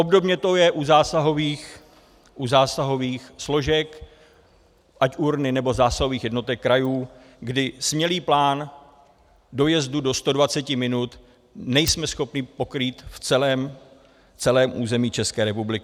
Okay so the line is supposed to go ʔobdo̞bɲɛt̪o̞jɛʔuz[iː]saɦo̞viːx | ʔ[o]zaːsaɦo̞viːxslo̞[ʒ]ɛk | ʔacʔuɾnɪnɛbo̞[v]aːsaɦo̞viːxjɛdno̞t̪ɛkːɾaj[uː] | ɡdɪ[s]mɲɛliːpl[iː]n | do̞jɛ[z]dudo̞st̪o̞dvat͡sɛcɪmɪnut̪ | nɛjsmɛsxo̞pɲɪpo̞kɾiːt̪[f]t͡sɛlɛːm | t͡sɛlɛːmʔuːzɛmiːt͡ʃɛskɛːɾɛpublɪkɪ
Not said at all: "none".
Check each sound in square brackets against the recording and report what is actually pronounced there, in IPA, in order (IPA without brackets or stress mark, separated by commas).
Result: aː, u, ʒ, z, uː, s, aː, z, f